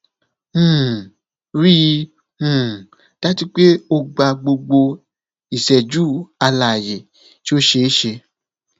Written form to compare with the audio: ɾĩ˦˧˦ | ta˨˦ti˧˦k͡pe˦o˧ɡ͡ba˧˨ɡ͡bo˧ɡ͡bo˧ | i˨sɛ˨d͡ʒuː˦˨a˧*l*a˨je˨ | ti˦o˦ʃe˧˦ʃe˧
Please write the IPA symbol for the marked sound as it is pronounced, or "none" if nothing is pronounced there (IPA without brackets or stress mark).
l